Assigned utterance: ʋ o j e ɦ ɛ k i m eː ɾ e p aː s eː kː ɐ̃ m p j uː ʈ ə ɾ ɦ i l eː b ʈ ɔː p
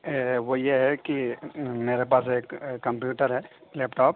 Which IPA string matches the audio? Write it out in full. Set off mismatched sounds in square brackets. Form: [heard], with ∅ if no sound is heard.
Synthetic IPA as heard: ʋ o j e ɦ ɛ k i m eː ɾ e p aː s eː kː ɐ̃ m p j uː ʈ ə ɾ ɦ [ɛ] l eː [p] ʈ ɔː p